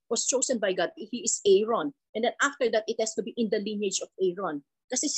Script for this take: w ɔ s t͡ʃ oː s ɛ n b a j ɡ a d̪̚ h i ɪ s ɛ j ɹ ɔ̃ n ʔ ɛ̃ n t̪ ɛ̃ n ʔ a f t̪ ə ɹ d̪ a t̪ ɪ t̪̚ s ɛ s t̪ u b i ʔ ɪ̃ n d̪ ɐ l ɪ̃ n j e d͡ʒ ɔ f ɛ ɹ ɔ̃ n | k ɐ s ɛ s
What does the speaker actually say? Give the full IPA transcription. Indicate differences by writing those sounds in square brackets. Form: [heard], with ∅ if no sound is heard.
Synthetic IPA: w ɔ s t͡ʃ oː s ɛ n b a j ɡ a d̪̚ h i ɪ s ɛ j ɹ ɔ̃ n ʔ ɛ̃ n [d̪] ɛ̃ n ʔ a f t̪ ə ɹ d̪ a t̪ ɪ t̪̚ [h] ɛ s t̪ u b i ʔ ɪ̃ n d̪ ɐ l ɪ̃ n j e d͡ʒ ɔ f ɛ ɹ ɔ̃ n | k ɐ s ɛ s